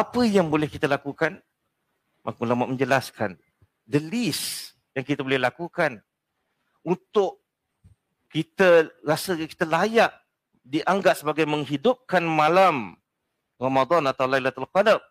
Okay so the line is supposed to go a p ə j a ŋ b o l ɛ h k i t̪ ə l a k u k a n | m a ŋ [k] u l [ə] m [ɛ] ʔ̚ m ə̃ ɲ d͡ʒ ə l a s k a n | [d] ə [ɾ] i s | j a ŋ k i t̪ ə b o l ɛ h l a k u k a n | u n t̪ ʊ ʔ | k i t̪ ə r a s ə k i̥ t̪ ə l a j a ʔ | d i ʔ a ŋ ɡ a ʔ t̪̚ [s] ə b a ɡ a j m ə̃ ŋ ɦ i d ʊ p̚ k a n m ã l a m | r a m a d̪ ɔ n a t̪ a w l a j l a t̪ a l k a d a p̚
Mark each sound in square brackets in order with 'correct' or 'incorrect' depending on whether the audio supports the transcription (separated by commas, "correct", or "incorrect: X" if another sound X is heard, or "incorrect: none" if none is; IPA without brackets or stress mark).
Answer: correct, incorrect: a, incorrect: a, correct, incorrect: l, correct